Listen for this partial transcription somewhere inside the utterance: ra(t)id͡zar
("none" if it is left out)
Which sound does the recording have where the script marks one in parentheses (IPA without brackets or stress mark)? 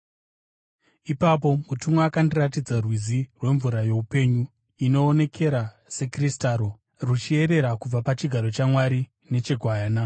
t